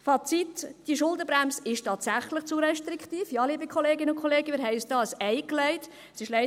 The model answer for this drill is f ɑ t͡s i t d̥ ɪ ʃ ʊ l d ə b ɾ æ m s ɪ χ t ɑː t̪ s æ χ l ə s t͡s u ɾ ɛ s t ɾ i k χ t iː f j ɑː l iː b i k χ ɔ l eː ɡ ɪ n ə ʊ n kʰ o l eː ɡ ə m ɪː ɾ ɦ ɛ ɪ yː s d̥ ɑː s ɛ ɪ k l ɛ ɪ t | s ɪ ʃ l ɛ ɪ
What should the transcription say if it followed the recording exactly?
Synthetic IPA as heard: f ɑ t͡s i t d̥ i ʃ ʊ l d ə b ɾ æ m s ɪ ʃ t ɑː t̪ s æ χ l ə χ t͡s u ɾ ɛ ʃ t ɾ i k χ t iː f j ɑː l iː b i k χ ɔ l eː ɡ ɪ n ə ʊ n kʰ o l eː ɡ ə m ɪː ɾ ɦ ɛ ɪ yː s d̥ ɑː s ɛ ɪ k l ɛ ɪ t | s ɪ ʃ l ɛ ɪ